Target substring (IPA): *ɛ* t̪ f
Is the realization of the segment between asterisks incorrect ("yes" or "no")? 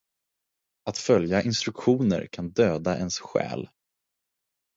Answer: yes